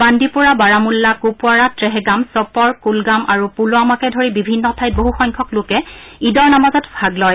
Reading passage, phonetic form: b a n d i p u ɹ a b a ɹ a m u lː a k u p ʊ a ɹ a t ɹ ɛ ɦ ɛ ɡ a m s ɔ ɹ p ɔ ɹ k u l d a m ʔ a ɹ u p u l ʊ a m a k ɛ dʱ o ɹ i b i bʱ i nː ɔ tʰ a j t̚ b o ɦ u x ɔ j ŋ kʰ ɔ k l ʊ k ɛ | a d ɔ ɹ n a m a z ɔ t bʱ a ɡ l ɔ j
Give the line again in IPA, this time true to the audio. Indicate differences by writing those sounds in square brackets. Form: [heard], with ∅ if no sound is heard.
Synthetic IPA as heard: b a n d i p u ɹ a b a ɹ a m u lː a k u p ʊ a ɹ a t ɹ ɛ ɦ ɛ ɡ a m s ɔ [∅] p ɔ ɹ k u l [ɡ] a m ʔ a ɹ u p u l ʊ a m a k ɛ dʱ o ɹ i b i bʱ i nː ɔ tʰ a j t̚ b o ɦ u x ɔ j ŋ kʰ ɔ k l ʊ k ɛ | [i] d ɔ ɹ n a m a z ɔ t bʱ a ɡ l ɔ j